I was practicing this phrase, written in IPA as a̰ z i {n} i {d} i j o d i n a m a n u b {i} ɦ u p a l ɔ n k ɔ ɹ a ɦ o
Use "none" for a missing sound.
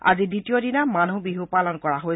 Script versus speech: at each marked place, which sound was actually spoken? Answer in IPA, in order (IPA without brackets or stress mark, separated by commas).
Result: d, t, i